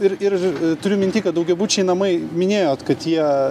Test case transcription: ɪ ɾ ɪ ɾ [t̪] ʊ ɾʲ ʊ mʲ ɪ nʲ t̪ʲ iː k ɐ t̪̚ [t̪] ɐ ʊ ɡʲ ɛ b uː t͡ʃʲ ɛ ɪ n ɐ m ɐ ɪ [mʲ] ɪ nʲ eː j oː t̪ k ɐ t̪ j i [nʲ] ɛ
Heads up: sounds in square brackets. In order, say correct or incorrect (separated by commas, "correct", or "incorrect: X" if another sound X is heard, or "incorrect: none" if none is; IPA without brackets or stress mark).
correct, incorrect: d̪, correct, incorrect: none